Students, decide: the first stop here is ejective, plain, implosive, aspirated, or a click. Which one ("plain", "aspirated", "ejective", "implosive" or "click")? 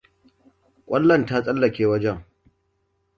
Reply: ejective